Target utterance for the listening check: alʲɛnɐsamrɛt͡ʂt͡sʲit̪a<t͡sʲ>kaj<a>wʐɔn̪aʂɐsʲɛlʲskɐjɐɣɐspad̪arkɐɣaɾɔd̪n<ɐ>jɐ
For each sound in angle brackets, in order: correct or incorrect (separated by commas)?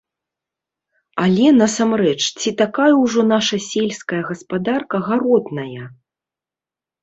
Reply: incorrect, incorrect, correct